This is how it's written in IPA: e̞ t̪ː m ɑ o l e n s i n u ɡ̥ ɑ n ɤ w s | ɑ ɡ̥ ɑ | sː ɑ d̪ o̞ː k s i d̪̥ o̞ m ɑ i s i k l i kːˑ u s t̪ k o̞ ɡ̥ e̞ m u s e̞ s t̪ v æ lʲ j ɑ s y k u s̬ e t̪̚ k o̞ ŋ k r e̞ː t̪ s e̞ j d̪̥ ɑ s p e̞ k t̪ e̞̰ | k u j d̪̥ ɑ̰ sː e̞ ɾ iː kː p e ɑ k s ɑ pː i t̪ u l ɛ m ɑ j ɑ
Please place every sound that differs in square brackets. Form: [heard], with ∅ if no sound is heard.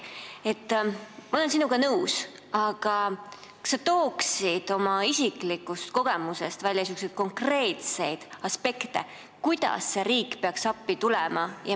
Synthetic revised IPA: e̞ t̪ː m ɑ o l e n s i n u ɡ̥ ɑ n ɤ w s | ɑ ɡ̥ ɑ | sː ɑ [t̪] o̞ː k s i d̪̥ o̞ m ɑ i s i k l i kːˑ u s t̪ k o̞ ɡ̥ e̞ m u s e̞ s t̪ v æ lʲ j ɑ s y k u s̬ e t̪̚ k o̞ ŋ k r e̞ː t̪ s e̞ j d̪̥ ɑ s p e̞ k t̪ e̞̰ | k u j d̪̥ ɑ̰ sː e̞ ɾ iː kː p e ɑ k s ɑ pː i t̪ u l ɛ m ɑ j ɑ

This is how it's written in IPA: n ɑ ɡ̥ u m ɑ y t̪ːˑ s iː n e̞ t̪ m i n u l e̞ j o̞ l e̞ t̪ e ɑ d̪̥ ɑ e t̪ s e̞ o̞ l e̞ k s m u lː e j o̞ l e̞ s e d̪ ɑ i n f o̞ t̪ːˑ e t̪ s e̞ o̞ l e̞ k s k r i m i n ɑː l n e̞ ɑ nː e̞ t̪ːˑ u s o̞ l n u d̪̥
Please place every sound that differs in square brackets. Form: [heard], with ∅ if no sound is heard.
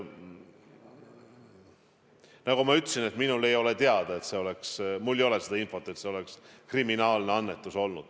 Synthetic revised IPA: n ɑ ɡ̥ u m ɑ y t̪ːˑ s [i] n e̞ t̪ m i n u l e̞ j o̞ l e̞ t̪ e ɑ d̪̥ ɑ e t̪ s e̞ o̞ l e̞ k s m u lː e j o̞ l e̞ s e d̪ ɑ i n f o̞ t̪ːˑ e t̪ s e̞ o̞ l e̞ k s k r i m i n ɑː l n e̞ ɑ nː e̞ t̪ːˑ u s o̞ l n u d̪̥

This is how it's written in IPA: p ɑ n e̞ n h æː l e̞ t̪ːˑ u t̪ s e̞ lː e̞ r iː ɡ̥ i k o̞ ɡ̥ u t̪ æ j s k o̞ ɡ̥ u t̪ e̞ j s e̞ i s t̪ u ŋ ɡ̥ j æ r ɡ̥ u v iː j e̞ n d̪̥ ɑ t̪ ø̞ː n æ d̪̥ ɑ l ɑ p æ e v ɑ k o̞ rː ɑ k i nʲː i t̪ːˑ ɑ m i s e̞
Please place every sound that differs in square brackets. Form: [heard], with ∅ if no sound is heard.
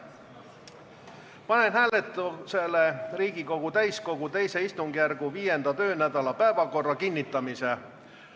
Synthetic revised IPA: p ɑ n e̞ n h æː l e̞ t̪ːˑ u [∅] s e̞ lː e̞ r iː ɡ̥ i k o̞ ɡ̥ u t̪ æ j s k o̞ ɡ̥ u t̪ e̞ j s e̞ i s t̪ u ŋ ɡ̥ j æ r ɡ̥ u v iː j e̞ n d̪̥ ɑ t̪ ø̞ː n æ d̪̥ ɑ l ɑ p æ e v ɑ k o̞ rː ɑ k i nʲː i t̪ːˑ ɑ m i s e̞

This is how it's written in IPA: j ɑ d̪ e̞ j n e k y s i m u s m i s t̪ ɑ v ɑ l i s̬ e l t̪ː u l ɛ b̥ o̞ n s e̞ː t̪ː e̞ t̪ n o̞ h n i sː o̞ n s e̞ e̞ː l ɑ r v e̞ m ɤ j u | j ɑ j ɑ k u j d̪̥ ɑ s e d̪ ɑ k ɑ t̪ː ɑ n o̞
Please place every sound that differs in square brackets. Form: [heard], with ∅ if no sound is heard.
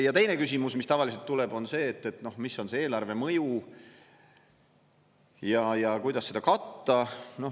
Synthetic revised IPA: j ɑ [t̪] e̞ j n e k y s i m u s m i s t̪ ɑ v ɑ l i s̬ e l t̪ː u l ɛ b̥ o̞ n s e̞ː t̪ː e̞ t̪ n o̞ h [m] i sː o̞ n s e̞ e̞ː l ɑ r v e̞ m ɤ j u | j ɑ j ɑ k u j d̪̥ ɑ s e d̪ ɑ k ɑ t̪ː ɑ n o̞

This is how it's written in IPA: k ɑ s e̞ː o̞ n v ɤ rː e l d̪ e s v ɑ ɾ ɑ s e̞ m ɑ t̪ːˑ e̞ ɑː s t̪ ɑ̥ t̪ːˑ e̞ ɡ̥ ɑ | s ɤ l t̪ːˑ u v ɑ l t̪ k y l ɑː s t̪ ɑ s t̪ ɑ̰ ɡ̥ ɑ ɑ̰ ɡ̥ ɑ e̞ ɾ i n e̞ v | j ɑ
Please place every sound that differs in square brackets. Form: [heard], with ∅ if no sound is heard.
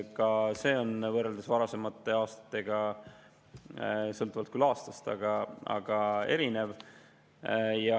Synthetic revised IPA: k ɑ s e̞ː o̞ n v ɤ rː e l d̪ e s v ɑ ɾ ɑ s e̞ m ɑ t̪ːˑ e̞ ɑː s t̪ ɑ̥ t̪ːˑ e̞ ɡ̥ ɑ | s ɤ l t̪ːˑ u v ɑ l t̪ k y l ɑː s t̪ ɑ s t̪ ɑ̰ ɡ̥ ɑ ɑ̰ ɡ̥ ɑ e̞ ɾ i n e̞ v | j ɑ

